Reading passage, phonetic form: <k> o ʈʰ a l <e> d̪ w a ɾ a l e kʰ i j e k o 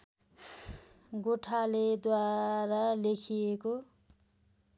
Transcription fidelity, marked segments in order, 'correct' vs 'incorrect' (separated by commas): incorrect, correct